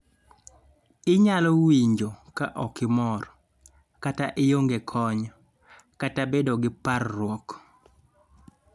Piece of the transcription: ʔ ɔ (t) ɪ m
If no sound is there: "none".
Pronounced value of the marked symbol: k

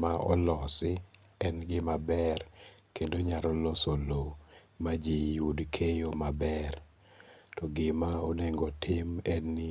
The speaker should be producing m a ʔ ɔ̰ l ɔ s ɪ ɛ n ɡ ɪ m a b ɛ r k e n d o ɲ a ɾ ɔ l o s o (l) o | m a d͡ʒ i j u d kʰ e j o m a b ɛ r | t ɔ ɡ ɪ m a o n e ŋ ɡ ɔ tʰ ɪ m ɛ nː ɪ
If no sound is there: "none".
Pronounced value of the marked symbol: l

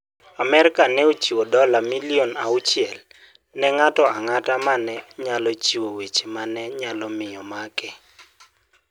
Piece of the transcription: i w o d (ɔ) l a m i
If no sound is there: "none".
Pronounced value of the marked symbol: ɔ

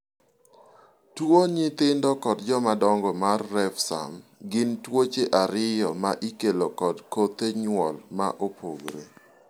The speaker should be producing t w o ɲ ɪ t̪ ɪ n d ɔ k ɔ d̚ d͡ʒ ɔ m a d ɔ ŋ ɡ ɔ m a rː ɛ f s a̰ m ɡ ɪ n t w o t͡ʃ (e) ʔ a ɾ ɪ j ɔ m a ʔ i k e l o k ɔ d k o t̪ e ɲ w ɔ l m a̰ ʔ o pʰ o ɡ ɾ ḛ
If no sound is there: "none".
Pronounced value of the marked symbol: e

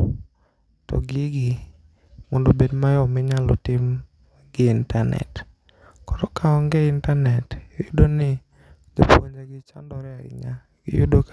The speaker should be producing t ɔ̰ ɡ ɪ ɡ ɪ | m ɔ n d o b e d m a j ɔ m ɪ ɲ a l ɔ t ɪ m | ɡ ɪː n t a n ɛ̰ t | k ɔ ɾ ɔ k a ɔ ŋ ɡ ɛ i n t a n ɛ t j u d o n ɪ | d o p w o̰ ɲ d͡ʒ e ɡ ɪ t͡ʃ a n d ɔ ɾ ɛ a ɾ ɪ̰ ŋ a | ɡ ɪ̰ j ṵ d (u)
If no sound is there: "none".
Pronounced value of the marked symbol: o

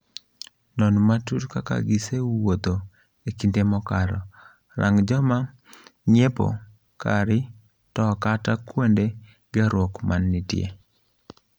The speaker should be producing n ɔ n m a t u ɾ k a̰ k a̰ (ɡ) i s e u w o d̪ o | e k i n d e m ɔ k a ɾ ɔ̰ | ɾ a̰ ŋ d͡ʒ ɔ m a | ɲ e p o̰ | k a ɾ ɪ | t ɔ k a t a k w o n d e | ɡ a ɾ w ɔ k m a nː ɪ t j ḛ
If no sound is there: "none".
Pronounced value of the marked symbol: ɡ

